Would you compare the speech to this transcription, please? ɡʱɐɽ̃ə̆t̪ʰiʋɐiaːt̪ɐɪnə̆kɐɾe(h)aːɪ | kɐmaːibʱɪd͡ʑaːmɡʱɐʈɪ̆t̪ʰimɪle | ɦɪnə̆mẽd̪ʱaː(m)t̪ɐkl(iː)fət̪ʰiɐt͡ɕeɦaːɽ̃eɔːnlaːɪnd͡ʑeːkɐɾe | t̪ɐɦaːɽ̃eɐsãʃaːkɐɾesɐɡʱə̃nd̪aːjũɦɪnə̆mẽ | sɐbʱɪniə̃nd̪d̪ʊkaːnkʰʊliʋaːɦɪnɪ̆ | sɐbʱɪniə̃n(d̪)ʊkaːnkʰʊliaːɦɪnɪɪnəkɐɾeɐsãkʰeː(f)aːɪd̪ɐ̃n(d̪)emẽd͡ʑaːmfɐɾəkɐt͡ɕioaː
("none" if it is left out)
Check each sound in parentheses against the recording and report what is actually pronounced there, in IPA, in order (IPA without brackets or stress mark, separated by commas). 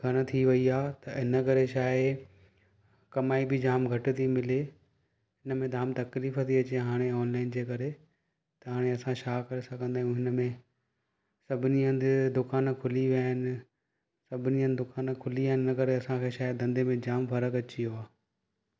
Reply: ʃ, m, iː, d̪, ʃ, d̪